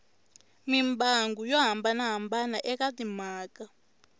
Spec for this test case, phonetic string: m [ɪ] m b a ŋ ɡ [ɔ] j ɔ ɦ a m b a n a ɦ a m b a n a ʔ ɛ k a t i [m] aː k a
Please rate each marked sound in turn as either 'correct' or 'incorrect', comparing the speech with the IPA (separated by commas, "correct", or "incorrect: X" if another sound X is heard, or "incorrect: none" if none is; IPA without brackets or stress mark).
incorrect: i, incorrect: u, correct